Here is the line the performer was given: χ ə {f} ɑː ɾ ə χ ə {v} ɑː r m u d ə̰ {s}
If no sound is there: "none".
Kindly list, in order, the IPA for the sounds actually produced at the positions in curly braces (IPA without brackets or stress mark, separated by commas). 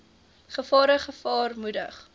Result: f, f, χ